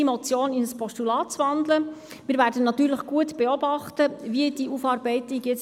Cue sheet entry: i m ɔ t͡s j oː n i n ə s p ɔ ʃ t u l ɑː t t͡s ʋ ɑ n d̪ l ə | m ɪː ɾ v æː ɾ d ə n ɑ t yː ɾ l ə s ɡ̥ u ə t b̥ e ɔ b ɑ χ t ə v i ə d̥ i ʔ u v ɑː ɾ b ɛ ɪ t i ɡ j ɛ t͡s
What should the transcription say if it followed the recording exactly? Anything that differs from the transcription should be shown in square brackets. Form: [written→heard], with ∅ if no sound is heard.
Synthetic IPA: i m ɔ t͡s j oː n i n ə s p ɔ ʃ t u l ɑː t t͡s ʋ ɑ n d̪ l ə | m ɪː ɾ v æː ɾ d ə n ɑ t yː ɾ l ə [s→χ] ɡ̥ u ə t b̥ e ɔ b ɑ χ t ə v i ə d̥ i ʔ u [v→f] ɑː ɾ b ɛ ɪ t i ɡ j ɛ t͡s